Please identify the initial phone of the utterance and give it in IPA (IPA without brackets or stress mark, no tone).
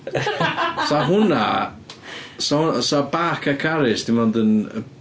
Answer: s